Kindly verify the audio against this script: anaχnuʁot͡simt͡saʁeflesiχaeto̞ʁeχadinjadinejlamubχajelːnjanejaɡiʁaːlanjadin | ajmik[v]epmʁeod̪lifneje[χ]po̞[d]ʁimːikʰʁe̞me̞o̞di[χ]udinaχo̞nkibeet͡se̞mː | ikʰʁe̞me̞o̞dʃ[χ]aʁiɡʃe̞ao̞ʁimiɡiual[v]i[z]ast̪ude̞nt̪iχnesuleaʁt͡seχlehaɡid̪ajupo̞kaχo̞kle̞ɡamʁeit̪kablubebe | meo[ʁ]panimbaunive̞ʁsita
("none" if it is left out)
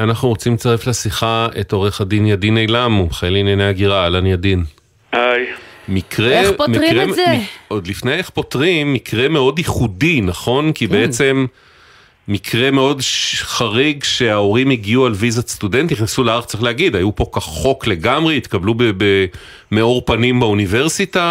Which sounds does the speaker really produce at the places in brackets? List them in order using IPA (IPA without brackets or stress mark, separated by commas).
ʁ, χ, t, χ, χ, v, z, ʁ